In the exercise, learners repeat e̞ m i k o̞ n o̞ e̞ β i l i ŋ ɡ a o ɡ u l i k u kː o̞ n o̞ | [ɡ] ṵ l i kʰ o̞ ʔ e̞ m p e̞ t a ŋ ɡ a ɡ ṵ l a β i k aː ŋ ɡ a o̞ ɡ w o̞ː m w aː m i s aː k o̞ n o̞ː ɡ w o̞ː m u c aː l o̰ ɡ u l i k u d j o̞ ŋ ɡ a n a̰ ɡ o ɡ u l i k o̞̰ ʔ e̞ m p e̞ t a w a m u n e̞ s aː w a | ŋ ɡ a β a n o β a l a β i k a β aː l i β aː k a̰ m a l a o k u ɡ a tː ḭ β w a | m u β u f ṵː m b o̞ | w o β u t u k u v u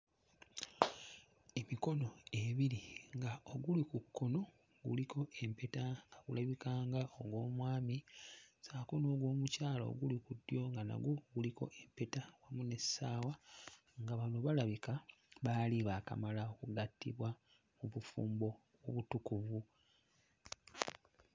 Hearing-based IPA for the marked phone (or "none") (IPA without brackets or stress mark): ɡ